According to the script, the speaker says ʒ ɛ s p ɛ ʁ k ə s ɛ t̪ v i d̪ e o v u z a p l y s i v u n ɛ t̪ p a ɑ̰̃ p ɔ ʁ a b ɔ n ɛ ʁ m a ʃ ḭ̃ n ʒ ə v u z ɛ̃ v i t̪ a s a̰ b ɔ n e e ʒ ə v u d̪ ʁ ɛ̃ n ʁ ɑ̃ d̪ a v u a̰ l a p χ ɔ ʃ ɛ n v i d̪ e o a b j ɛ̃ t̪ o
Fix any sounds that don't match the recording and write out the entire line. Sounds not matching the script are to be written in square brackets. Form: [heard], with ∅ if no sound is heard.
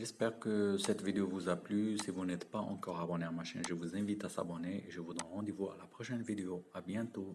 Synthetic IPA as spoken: ʒ ɛ s p ɛ ʁ k ə s ɛ t̪ v i d̪ e o v u z a p l y s i v u n ɛ t̪ p a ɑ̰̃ [k] ɔ ʁ a b ɔ n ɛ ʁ m a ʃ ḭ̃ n ʒ ə v u z ɛ̃ v i t̪ a s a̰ b ɔ n e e ʒ ə v u d̪ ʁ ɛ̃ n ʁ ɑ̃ d̪ [e] v u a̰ l a p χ ɔ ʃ ɛ n v i d̪ e o a b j ɛ̃ t̪ o